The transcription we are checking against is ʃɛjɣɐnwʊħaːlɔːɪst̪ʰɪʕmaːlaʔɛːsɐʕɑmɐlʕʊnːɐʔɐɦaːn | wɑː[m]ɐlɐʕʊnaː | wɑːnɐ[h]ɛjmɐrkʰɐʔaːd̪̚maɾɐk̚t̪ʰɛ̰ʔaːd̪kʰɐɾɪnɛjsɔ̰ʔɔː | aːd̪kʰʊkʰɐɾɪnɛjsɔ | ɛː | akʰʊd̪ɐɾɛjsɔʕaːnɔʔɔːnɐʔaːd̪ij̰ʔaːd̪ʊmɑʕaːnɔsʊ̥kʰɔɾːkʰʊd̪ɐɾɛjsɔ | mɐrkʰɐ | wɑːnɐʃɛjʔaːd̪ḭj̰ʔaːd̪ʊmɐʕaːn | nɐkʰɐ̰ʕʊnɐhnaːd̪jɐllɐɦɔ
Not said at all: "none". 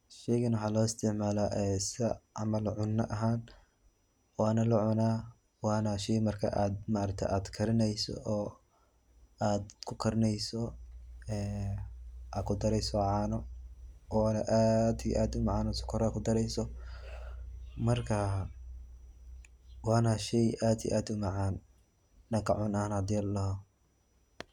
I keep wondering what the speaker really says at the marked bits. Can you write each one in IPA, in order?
n, ʃ

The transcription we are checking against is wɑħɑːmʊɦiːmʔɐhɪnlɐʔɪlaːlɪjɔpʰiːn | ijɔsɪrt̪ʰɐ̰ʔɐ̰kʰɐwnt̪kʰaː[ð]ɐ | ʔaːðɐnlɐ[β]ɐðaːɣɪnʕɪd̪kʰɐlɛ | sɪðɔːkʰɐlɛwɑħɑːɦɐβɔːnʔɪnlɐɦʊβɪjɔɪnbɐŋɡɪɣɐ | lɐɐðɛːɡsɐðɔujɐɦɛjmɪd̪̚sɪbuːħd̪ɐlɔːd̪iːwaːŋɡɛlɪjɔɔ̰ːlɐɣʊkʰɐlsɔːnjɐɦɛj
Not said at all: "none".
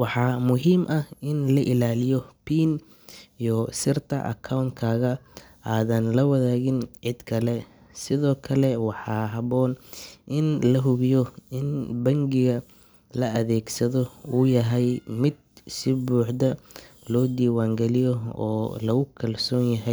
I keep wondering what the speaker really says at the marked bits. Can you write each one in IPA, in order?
ɣ, w

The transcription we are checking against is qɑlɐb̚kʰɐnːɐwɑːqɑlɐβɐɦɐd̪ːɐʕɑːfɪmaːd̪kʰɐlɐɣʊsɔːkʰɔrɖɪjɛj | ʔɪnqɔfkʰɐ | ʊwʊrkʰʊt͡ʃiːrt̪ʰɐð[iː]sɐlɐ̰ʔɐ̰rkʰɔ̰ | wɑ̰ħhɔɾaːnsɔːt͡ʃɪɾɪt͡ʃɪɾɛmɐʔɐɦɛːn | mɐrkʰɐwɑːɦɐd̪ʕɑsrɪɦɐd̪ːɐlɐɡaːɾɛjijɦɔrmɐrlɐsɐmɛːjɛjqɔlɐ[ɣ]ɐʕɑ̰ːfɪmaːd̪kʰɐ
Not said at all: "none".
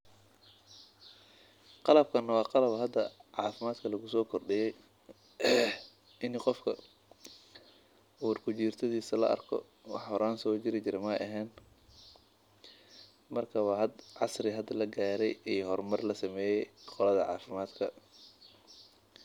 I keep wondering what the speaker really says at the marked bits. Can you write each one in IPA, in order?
iː, ð

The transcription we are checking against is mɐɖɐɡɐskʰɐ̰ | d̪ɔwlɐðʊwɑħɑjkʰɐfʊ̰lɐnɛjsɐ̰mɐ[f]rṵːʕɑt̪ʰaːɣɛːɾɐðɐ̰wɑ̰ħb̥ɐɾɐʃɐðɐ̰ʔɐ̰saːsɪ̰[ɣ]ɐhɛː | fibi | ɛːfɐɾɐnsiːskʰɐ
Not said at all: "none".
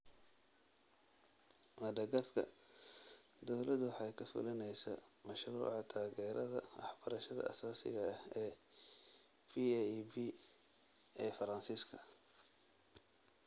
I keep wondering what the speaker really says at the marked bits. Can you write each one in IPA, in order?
ʃ, ɣ

